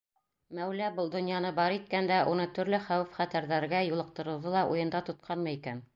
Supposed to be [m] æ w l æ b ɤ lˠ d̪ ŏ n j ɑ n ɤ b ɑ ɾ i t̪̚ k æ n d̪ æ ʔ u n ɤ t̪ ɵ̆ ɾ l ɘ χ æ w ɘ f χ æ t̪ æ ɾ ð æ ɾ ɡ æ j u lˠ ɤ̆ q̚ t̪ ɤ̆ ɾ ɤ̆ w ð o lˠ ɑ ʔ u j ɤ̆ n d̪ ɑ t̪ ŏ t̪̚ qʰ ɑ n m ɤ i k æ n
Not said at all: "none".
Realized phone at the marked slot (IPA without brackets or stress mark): m